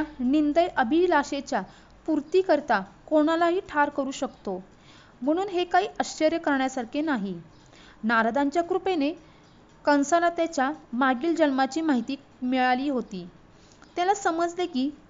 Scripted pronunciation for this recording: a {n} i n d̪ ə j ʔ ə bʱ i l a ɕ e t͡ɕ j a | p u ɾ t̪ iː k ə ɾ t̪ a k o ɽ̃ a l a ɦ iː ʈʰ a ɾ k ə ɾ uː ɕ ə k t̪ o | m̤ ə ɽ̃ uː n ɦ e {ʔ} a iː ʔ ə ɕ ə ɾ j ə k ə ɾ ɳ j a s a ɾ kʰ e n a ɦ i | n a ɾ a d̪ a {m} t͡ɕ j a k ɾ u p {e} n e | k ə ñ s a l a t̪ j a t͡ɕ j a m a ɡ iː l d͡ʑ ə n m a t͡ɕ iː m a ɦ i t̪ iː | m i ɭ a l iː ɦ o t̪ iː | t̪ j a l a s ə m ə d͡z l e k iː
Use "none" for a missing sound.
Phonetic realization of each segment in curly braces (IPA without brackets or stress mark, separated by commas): n, k, ɲ, e